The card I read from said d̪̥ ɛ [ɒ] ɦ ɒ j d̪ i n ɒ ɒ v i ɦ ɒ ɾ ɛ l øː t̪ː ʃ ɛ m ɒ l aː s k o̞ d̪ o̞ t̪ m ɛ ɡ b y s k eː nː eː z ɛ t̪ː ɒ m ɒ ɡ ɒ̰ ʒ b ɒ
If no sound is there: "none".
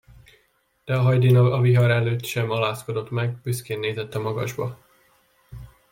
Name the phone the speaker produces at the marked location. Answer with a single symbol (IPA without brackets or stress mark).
ɒ